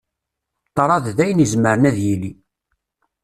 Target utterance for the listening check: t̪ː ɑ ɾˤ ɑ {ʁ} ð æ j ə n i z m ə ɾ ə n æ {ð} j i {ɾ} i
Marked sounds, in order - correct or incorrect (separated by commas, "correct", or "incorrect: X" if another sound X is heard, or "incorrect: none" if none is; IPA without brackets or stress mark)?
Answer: incorrect: ð, correct, incorrect: l